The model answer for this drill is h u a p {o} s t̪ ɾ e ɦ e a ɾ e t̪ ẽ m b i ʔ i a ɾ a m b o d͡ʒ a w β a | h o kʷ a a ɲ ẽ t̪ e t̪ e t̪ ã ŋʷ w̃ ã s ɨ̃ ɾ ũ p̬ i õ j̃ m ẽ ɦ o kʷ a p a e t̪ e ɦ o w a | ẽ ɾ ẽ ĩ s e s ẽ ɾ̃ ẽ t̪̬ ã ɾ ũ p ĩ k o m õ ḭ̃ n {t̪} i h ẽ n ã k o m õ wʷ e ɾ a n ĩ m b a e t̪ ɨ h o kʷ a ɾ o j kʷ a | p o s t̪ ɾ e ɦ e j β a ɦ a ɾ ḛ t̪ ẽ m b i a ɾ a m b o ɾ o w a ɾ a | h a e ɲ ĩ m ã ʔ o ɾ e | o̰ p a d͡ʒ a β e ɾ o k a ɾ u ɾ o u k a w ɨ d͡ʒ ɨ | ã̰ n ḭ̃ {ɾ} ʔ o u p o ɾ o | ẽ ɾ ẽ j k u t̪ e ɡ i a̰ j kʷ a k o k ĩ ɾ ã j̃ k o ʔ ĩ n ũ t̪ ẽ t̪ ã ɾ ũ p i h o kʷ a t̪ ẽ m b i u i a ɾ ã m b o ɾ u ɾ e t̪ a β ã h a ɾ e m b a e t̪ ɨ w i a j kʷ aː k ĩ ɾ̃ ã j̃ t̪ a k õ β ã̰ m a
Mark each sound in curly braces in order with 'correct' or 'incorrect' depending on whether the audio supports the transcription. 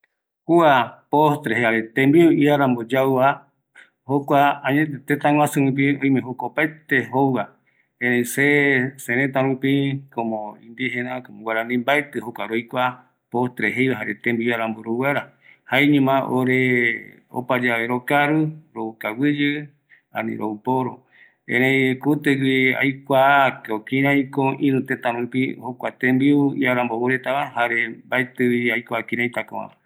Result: correct, incorrect, correct

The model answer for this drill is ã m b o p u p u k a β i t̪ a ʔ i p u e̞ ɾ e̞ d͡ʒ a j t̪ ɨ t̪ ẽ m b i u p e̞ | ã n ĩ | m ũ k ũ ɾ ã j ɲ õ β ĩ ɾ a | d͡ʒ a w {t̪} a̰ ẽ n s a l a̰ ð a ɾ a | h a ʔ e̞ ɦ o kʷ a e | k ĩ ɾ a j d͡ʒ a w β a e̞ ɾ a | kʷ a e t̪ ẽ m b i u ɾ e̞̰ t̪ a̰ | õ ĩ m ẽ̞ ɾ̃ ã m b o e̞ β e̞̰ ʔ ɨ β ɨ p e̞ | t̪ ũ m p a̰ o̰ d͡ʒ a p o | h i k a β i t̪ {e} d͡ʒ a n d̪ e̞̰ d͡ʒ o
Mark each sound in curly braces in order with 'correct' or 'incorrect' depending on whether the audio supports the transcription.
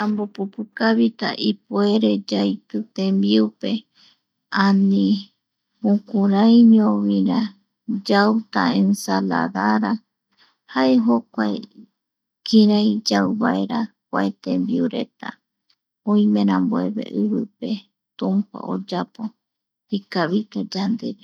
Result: correct, incorrect

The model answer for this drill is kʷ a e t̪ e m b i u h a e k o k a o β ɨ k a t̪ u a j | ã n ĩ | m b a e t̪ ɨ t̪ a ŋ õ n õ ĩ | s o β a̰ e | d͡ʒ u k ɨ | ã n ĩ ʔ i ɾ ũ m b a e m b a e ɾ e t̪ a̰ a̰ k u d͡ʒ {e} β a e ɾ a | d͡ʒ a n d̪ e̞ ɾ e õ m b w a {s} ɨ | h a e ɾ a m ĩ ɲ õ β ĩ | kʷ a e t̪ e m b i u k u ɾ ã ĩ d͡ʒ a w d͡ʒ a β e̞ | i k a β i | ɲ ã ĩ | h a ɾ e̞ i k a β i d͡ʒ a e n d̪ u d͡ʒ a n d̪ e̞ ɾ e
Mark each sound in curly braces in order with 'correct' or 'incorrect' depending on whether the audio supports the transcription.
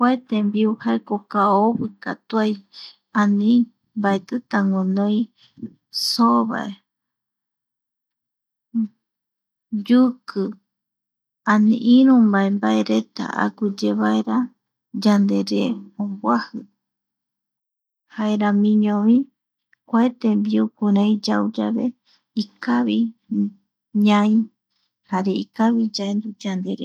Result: correct, incorrect

